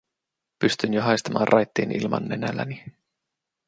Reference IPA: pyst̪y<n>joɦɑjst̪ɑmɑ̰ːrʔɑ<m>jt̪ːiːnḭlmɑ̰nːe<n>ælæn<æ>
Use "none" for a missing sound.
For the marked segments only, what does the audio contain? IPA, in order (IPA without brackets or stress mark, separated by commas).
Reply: n, none, n, i